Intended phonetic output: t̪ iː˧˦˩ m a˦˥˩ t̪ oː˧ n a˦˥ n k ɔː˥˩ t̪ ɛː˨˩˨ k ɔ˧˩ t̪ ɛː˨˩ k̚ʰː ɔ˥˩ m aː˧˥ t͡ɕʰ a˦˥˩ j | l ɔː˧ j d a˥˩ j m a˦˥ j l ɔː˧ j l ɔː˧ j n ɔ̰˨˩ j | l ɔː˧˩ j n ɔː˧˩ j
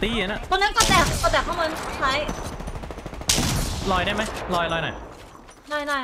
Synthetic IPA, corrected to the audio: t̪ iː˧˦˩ n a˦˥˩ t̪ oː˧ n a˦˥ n k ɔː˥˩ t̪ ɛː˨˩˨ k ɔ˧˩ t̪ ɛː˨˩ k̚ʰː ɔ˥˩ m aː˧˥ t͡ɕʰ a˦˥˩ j | l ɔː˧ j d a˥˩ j m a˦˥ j l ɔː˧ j l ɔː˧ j n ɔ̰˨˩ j | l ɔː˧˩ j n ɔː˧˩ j